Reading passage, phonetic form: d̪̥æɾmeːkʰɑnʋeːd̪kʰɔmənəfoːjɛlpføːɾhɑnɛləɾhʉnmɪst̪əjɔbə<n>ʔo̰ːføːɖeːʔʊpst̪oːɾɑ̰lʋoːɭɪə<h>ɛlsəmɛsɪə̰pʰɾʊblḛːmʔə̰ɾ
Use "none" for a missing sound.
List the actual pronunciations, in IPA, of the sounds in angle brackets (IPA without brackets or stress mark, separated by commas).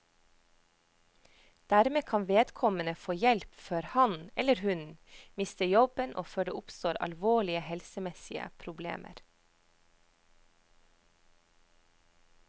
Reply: n, h